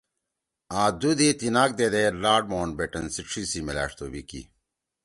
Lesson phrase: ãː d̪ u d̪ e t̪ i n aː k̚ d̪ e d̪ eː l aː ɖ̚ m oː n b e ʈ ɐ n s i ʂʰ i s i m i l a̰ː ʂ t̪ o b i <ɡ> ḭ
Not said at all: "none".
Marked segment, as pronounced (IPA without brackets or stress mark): k